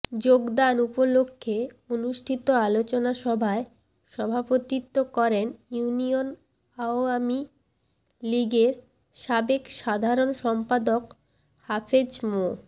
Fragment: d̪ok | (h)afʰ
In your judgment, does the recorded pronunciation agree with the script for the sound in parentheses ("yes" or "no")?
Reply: yes